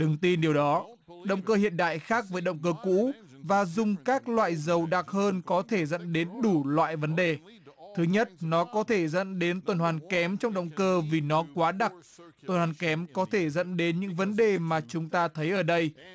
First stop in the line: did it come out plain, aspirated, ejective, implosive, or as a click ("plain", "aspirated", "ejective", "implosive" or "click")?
implosive